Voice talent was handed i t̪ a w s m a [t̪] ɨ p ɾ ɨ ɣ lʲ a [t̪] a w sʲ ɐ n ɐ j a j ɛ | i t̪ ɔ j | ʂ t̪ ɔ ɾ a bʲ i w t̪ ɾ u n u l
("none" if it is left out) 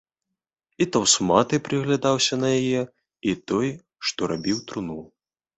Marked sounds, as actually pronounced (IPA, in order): t̪, d̪

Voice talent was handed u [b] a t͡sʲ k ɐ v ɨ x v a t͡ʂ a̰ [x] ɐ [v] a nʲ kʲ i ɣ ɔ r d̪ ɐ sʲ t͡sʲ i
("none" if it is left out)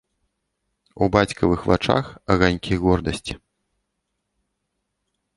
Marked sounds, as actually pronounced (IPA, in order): b, x, ɣ

